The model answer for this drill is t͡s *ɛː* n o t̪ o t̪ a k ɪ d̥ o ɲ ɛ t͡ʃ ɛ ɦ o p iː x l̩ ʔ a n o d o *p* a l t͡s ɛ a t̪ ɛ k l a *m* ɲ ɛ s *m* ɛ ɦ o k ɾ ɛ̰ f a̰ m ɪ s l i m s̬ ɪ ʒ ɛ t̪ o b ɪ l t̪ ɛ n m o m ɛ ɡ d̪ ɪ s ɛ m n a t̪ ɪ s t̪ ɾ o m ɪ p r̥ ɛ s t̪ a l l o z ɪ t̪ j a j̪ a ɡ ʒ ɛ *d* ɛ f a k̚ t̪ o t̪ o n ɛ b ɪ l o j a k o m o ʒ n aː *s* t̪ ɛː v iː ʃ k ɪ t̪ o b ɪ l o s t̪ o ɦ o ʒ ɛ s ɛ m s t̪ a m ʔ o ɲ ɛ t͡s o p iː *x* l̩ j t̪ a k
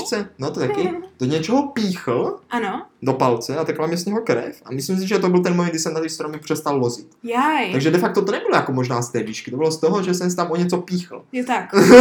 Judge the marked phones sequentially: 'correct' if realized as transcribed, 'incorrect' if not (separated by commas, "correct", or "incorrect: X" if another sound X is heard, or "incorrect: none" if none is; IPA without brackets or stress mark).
incorrect: ɛ, correct, correct, incorrect: ɲ, correct, correct, correct